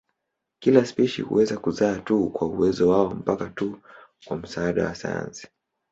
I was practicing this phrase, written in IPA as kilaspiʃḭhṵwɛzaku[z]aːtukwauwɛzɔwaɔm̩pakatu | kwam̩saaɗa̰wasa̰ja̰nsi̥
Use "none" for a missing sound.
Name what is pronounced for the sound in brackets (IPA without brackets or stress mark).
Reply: z